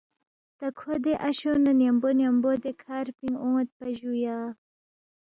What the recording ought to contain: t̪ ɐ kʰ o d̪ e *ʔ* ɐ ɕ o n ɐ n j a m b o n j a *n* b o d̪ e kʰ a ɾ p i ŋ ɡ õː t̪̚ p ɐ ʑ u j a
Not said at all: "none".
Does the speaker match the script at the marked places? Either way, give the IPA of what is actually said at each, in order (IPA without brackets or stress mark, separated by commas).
ʔ, m